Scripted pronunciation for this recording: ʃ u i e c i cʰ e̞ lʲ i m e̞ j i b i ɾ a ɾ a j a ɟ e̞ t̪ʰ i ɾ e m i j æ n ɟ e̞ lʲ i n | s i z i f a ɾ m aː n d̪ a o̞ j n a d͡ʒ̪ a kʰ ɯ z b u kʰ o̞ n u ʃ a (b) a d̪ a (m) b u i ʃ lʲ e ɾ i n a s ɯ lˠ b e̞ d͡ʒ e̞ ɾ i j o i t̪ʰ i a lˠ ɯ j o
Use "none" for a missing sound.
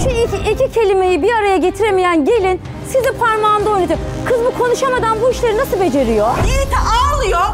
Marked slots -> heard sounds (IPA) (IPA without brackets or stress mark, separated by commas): m, n